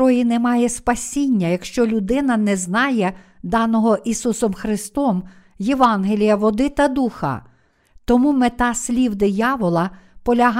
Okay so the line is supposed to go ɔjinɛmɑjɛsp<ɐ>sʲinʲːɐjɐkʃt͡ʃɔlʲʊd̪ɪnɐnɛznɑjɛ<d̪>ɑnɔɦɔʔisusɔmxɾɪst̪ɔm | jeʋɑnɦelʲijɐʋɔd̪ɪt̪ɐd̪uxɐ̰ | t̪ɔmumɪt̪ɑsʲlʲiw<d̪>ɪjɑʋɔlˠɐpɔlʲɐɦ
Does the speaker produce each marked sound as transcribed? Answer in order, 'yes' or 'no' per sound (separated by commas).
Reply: yes, yes, yes